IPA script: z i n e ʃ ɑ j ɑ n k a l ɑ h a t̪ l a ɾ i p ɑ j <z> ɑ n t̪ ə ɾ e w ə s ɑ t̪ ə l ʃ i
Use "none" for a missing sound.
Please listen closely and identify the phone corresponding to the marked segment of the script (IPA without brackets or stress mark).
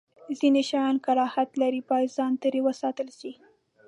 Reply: z